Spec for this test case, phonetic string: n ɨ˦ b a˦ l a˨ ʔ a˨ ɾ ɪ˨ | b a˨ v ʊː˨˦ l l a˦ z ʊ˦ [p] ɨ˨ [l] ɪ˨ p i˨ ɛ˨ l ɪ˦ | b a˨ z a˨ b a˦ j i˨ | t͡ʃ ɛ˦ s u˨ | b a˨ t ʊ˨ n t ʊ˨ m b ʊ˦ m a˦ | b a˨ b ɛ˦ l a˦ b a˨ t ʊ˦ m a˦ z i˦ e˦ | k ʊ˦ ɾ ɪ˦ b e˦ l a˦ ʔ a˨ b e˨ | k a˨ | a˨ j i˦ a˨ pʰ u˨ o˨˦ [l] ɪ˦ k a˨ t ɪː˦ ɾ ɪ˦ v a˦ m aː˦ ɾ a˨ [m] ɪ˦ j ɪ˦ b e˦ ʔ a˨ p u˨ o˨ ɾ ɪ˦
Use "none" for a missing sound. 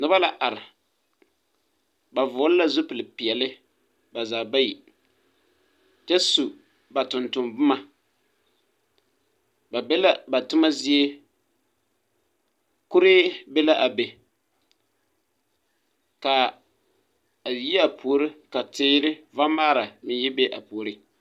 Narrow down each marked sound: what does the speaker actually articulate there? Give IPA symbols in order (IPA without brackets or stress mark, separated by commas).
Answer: p, l, ɾ, m